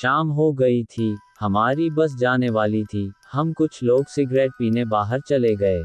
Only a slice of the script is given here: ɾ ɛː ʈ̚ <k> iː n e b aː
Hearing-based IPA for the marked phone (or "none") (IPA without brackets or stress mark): p